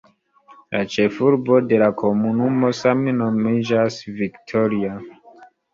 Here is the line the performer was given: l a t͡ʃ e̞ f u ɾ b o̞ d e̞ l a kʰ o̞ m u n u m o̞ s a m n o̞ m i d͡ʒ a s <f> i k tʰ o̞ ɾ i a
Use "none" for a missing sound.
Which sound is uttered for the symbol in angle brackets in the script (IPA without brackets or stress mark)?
v